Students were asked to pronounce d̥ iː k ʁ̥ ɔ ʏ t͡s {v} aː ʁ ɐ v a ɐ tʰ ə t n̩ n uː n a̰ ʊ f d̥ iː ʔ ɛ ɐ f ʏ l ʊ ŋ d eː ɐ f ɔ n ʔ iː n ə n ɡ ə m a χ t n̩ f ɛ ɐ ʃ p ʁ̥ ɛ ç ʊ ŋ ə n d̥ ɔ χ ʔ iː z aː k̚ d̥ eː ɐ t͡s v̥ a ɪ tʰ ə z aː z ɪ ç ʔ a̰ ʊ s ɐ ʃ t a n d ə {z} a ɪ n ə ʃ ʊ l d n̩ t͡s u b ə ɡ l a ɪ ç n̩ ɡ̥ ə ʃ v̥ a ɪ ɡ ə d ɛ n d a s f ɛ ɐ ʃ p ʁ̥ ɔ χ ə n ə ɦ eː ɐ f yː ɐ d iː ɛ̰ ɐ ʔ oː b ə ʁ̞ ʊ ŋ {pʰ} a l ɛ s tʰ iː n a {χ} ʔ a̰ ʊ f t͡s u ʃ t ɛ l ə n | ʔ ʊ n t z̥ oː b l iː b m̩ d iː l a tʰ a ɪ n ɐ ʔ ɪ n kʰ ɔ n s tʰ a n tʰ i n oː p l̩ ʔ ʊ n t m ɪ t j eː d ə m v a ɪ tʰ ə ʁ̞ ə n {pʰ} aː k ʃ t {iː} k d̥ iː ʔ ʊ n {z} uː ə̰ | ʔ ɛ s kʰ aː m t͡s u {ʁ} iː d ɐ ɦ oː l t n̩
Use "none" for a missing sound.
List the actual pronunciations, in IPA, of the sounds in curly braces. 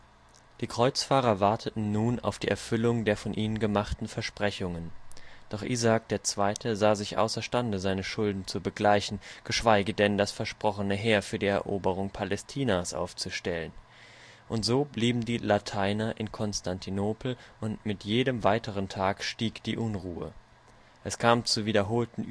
f, z, pʰ, s, tʰ, iː, ʁ, v

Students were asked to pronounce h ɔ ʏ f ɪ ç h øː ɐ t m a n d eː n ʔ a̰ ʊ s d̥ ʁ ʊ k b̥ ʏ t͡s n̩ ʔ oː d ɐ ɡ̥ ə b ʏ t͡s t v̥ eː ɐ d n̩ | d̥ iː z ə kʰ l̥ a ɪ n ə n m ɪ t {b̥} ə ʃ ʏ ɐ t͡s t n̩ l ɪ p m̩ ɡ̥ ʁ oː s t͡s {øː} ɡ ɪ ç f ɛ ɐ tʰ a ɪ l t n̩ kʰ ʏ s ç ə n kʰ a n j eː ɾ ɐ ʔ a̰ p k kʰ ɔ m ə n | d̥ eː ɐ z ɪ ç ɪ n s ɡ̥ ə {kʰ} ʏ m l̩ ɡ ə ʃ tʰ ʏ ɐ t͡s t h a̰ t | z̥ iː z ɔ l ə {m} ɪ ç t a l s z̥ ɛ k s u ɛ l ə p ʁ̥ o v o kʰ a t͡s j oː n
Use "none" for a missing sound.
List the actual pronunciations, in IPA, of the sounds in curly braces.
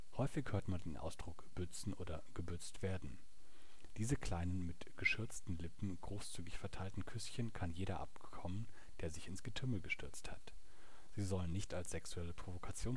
ɡ̥, yː, tʰ, n

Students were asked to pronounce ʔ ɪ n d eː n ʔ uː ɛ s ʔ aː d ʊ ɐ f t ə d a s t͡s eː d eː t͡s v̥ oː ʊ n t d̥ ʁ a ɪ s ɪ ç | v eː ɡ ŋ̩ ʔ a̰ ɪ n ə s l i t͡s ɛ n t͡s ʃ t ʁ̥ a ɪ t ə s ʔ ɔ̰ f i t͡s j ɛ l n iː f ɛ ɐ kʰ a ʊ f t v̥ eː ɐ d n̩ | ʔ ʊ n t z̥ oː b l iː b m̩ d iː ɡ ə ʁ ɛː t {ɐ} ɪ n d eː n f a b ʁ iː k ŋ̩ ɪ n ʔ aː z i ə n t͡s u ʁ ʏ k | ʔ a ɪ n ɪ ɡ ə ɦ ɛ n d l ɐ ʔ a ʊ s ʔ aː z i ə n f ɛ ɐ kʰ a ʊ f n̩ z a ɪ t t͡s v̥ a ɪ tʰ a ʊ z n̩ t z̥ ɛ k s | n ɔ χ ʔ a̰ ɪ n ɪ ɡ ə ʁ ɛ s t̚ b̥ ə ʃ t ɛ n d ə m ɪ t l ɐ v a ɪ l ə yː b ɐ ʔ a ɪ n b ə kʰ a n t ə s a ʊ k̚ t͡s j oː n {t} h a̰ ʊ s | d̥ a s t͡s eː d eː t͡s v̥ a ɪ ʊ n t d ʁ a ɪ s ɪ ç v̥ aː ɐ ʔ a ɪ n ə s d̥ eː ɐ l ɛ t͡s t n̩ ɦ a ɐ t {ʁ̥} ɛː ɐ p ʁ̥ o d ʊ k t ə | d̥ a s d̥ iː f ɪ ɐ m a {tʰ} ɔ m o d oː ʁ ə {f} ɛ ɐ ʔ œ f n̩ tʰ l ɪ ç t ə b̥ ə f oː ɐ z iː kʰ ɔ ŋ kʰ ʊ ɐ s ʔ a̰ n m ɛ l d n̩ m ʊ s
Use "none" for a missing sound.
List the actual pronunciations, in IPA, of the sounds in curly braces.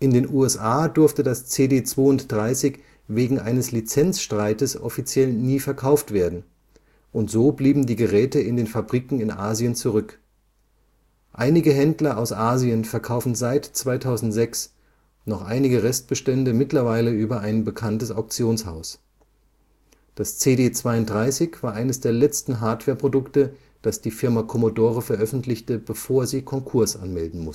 ə, s, v̥, kʰ, f

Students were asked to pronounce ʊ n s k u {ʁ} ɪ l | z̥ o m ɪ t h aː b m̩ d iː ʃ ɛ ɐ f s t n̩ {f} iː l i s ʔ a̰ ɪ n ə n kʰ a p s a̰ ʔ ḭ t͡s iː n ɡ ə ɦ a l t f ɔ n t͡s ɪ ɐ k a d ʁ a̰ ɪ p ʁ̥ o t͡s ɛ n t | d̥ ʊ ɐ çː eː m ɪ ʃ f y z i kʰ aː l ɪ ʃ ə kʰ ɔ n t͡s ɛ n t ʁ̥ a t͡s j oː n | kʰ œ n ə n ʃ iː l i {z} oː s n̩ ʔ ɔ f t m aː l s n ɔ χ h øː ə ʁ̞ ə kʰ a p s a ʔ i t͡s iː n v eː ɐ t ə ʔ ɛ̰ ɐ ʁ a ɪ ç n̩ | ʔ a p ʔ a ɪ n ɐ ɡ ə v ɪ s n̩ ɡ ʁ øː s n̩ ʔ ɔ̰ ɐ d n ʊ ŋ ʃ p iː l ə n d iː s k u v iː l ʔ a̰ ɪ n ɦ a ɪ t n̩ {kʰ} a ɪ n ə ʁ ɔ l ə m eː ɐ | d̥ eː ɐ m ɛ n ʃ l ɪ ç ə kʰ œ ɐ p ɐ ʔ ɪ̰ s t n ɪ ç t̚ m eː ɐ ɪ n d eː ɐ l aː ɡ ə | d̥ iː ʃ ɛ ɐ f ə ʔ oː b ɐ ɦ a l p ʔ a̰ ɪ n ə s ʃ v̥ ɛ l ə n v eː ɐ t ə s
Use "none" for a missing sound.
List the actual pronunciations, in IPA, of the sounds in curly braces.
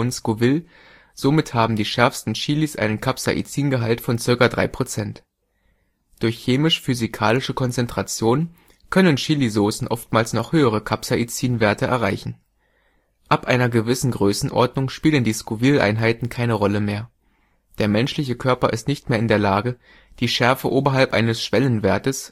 v, ʃ, z, kʰ

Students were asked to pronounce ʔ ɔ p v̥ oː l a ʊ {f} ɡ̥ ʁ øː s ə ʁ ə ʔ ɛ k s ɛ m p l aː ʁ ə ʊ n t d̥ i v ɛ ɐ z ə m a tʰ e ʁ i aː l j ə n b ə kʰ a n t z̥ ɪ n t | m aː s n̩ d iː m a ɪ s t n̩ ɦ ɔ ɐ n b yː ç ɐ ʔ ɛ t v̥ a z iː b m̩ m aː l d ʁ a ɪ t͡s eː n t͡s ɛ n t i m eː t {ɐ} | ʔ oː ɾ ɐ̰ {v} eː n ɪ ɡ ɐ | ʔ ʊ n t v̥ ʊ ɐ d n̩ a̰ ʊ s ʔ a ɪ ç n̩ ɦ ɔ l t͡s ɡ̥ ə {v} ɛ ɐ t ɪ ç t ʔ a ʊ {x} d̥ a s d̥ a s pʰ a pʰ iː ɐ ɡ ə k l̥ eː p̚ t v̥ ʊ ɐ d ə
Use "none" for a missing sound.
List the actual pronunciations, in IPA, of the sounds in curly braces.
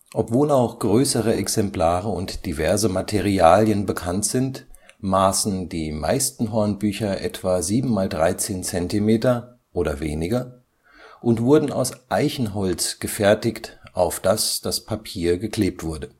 x, ɐ, v, f, f

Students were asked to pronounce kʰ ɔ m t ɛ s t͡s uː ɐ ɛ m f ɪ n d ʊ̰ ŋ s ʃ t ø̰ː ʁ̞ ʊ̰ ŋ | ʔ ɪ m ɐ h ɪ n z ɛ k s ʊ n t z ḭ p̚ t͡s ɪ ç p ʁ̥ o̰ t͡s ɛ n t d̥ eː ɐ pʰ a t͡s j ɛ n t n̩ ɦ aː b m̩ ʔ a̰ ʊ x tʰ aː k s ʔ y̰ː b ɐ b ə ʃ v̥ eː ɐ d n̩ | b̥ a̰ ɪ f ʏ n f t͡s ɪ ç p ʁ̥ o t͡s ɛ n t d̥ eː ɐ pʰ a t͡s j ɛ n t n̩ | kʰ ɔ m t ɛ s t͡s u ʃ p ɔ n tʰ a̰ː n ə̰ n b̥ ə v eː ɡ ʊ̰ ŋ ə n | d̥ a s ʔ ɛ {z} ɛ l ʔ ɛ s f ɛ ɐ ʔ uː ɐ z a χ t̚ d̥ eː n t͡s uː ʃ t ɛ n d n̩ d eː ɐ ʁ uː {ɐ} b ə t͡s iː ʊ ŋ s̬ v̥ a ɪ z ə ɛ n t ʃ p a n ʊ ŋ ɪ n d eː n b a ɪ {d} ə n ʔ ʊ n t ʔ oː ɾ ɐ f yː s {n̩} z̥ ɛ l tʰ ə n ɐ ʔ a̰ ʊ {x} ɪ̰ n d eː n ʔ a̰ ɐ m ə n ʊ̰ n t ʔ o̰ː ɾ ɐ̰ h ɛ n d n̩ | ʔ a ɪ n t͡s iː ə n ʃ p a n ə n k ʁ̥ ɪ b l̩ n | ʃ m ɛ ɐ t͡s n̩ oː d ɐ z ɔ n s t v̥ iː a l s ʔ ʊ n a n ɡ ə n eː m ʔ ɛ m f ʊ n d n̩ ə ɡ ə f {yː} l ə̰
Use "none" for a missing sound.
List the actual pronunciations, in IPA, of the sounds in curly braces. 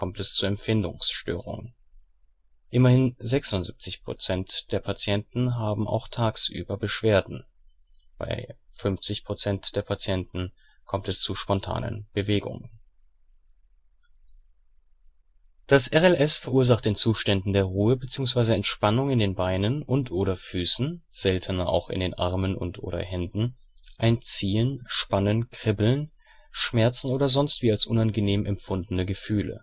ʁ, ə, n, n̩, x, yː

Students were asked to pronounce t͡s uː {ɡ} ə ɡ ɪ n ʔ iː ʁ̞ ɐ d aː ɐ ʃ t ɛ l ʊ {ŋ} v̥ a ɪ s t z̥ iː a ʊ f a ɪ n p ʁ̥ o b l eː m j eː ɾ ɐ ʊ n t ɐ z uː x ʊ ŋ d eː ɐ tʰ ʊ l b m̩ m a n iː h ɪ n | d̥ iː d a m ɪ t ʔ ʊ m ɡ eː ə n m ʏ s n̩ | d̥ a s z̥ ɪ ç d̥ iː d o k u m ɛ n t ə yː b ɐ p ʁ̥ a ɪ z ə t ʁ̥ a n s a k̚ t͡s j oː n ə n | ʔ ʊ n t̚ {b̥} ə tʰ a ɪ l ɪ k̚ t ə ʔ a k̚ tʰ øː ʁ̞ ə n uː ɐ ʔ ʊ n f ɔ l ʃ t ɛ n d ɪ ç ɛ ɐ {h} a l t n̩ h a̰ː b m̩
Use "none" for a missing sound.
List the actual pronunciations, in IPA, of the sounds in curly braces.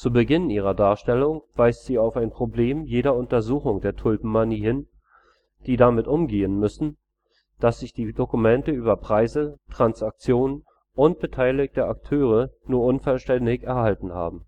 b, ŋ, b̥, h

